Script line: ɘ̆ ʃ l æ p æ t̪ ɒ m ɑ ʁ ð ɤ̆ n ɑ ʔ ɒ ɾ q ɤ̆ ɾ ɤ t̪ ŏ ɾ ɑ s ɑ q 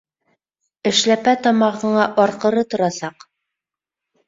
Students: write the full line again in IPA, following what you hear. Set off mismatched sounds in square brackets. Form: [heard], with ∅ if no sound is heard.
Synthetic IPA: ɘ̆ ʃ l æ p æ t̪ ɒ m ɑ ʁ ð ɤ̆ [ɴ] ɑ ʔ ɒ ɾ q ɤ̆ ɾ ɤ t̪ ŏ ɾ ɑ s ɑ q